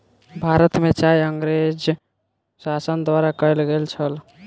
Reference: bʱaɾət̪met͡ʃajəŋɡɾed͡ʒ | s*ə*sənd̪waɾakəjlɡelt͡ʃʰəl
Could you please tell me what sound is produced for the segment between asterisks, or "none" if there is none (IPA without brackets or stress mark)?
a